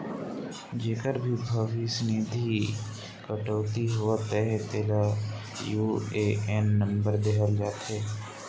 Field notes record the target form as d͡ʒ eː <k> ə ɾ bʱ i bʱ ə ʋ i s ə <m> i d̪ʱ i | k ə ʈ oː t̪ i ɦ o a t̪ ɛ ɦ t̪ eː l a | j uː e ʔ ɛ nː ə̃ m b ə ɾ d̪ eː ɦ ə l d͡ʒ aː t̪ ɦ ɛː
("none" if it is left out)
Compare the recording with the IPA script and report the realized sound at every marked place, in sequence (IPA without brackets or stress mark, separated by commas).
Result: k, n